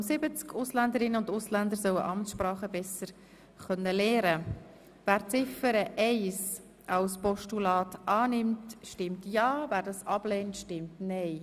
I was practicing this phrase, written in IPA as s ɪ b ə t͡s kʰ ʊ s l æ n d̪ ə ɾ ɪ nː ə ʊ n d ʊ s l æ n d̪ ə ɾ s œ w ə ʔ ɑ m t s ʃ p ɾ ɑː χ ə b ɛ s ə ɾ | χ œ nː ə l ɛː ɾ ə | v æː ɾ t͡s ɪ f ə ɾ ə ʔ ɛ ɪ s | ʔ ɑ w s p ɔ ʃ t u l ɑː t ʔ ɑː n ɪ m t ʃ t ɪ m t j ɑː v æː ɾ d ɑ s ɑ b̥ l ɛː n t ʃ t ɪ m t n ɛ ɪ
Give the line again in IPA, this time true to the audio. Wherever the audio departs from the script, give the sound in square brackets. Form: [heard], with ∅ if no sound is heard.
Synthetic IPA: s ɪ b ə t͡s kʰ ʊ s l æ n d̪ ə ɾ ɪ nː ə ʊ n d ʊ s l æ n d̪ ə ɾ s œ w ə ʔ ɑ m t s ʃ p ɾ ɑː χ ə b ɛ s ə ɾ | χ œ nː ə l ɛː ɾ ə | v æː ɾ t͡s ɪ f ə ɾ ə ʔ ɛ ɪ s | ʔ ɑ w s p ɔ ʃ t u l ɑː t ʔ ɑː n ɪ m t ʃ t ɪ m t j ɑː v æː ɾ d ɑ s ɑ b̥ l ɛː n t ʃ t ɪ m t n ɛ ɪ